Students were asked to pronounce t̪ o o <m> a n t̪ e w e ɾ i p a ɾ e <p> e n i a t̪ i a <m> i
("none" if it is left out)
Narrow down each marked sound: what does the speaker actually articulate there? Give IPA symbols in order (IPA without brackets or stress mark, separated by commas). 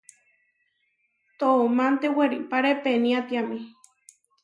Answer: m, p, m